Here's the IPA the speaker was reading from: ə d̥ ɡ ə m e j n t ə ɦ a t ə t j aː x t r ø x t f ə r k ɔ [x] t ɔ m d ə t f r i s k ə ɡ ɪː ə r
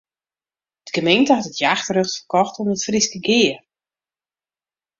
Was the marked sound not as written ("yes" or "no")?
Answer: no